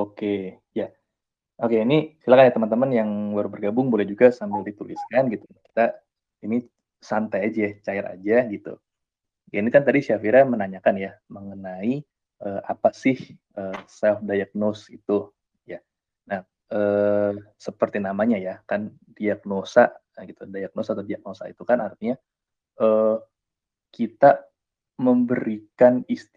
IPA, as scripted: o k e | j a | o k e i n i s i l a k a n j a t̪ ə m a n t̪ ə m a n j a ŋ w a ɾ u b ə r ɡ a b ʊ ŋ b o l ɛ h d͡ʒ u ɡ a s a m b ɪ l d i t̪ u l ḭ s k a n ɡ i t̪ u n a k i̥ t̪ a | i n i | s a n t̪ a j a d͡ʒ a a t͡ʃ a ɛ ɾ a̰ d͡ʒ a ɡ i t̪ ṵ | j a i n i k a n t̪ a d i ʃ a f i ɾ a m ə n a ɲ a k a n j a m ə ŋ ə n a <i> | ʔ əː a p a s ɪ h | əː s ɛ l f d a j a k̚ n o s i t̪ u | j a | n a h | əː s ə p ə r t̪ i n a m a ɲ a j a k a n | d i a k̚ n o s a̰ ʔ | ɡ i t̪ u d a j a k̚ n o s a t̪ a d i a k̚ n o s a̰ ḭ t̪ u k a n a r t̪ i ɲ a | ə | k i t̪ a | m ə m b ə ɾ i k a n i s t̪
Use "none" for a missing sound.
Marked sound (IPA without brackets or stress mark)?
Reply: i